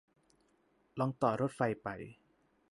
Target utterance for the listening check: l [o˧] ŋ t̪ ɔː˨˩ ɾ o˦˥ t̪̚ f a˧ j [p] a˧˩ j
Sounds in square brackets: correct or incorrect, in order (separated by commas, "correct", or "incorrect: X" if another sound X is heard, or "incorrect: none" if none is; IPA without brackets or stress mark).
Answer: incorrect: ɔ˧, correct